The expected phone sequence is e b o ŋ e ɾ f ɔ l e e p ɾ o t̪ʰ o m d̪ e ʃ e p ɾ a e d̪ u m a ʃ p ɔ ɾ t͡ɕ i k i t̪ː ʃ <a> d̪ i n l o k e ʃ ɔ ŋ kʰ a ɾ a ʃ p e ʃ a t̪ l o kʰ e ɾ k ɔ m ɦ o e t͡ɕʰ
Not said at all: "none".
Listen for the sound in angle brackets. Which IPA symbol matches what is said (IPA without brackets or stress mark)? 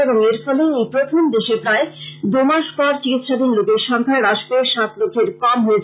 a